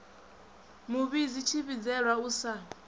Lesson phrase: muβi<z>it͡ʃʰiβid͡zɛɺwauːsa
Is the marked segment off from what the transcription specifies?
no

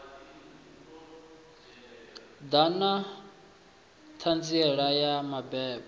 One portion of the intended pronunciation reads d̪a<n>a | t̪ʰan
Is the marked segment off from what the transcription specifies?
no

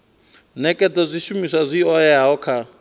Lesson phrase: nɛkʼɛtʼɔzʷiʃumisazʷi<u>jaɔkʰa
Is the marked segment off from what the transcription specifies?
yes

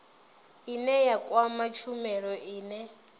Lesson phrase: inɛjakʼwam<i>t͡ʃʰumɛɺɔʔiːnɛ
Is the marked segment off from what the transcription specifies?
yes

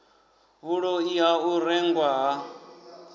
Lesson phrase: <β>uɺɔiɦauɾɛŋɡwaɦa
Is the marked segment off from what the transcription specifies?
no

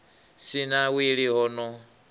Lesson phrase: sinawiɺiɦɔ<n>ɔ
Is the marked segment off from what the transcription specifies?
no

